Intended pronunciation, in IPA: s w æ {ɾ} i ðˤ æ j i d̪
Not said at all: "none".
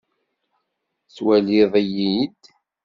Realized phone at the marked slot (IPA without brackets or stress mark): l